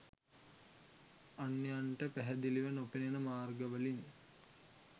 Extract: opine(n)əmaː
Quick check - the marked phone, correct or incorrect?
correct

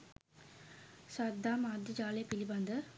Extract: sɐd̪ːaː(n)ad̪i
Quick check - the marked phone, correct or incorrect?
incorrect: m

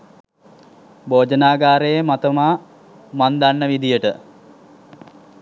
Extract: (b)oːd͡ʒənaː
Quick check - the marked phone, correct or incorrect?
correct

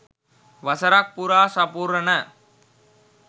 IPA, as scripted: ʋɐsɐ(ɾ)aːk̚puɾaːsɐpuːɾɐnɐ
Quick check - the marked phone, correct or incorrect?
correct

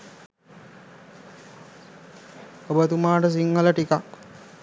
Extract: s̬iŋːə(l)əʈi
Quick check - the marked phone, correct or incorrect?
correct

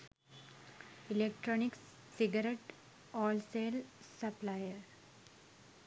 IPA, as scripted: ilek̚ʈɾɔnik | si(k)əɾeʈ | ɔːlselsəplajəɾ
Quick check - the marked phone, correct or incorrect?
incorrect: ɡ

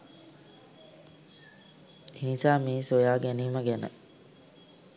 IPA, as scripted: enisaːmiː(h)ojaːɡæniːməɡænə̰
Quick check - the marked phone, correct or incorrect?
incorrect: s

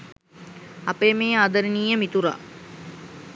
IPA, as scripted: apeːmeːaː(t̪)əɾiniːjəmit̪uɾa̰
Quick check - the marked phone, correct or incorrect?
incorrect: d̪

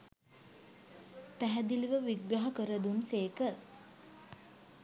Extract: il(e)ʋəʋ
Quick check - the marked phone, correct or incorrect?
incorrect: i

